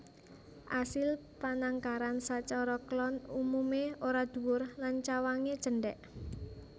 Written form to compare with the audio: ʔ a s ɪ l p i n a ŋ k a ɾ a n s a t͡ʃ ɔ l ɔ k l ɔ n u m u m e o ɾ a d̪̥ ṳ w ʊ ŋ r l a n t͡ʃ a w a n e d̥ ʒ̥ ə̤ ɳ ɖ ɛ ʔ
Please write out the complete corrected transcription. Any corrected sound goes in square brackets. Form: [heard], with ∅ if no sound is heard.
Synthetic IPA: ʔ a s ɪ l p [a] n a ŋ k a ɾ a n s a t͡ʃ ɔ [ɾ] ɔ k l ɔ n u m u m e o ɾ a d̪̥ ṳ w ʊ [∅] r l a n t͡ʃ a w a [ŋ] e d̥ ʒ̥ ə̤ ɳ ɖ ɛ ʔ